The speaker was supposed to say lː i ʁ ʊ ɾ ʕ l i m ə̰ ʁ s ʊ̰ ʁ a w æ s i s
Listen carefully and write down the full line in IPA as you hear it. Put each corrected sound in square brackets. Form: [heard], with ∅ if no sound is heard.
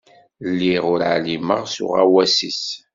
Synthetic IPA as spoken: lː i ʁ ʊ ɾ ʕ l i m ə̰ ʁ s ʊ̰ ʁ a w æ s i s